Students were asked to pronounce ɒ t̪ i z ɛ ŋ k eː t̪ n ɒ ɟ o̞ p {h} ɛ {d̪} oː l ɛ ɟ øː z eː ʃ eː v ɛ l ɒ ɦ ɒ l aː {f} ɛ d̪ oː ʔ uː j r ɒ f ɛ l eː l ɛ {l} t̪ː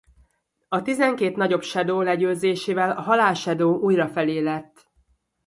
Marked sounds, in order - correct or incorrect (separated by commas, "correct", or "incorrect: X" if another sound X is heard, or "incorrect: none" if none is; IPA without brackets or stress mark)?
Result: incorrect: ʃ, correct, incorrect: ʃ, incorrect: none